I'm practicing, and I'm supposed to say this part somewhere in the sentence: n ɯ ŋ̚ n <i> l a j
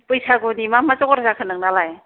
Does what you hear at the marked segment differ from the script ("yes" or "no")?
yes